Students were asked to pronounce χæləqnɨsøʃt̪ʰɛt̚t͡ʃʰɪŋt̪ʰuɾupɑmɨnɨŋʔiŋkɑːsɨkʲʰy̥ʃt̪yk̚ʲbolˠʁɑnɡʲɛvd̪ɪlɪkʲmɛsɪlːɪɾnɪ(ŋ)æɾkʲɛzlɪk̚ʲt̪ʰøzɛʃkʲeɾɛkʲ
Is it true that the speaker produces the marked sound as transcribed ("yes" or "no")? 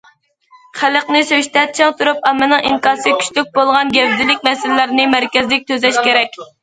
no